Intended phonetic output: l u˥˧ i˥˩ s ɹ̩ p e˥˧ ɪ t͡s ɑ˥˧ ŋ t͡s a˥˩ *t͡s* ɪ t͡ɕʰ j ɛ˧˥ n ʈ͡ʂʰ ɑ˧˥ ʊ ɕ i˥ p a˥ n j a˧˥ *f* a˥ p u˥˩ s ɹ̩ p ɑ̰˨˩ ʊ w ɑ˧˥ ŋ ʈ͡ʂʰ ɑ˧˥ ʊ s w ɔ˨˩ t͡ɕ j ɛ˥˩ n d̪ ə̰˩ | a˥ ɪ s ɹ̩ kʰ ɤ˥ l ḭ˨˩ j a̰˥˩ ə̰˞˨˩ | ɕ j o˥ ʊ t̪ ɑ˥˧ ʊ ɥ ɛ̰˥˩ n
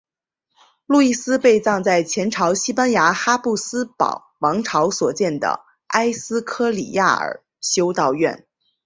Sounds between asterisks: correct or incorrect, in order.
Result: incorrect: none, incorrect: x

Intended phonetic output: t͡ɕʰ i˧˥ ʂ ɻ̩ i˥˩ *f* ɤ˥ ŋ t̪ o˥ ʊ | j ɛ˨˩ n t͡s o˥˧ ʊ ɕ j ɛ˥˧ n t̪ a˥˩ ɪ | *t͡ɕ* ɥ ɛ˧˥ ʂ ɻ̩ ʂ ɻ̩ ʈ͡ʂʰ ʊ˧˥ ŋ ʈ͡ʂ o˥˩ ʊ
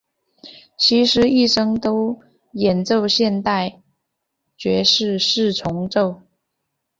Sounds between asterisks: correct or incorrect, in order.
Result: incorrect: ʂ, correct

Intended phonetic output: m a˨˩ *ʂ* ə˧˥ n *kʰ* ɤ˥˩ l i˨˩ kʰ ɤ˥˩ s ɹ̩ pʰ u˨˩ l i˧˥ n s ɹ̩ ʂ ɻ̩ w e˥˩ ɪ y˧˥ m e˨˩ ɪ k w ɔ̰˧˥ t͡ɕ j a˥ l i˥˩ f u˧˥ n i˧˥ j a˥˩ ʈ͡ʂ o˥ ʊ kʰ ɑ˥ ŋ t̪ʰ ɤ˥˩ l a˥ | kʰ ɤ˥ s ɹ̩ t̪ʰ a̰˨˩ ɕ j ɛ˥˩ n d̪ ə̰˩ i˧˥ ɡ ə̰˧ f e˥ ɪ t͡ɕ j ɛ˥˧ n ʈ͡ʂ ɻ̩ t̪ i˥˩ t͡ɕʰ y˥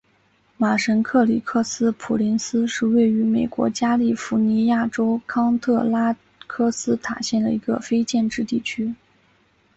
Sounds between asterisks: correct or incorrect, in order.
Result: correct, correct

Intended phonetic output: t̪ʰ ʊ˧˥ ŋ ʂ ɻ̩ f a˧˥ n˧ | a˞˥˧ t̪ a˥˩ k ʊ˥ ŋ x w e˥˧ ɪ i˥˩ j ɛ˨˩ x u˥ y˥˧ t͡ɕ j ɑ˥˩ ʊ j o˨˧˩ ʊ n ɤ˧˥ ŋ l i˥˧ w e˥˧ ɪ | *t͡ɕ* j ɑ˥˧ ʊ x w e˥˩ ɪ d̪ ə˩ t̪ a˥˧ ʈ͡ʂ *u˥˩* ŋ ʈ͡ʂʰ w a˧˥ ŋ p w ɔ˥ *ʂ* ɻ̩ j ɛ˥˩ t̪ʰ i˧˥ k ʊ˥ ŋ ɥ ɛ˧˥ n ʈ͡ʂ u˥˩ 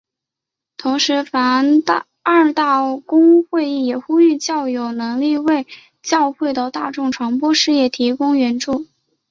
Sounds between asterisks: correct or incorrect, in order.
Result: correct, incorrect: ʊ˥˩, correct

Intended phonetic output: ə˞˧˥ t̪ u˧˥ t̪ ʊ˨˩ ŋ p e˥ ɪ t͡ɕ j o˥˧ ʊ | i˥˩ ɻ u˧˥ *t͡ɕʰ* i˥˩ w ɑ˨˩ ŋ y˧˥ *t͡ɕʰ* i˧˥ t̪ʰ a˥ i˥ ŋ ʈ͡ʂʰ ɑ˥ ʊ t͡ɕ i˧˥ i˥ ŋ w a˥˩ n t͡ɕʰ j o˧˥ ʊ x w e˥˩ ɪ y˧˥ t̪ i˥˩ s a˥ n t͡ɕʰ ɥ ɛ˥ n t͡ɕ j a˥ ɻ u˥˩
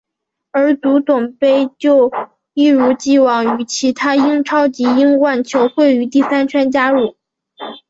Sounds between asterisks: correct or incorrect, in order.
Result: incorrect: t͡ɕ, correct

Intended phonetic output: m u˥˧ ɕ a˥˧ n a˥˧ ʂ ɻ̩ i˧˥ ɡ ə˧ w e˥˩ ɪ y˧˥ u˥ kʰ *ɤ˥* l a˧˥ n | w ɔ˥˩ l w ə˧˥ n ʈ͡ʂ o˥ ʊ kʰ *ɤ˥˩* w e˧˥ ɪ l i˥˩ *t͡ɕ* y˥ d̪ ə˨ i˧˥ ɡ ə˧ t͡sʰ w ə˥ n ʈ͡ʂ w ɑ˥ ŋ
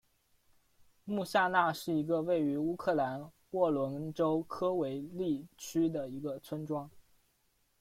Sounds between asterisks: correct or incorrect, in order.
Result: incorrect: ɤ˥˩, incorrect: ɤ˥, incorrect: t͡ɕʰ

